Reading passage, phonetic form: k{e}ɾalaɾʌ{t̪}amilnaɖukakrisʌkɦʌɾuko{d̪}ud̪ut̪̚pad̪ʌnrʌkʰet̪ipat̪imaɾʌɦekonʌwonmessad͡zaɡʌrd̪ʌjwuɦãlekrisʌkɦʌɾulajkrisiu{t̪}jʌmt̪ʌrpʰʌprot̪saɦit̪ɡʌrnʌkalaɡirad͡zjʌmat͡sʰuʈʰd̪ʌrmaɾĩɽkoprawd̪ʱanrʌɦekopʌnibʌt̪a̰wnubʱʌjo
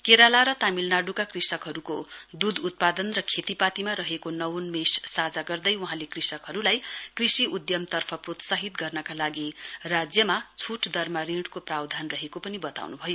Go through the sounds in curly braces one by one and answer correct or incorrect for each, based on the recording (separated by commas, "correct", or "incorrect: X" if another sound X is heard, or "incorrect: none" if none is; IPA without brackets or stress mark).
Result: correct, correct, correct, incorrect: d̪